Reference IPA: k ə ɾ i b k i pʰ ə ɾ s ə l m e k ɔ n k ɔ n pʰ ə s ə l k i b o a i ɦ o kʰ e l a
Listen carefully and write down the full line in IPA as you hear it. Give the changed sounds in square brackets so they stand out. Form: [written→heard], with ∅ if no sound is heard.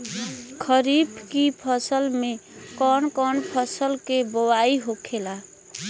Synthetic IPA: [k→kʰ] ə ɾ i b k i pʰ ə [ɾ→∅] s ə l m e k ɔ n k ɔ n pʰ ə s ə l k [i→e] b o a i ɦ o kʰ e l a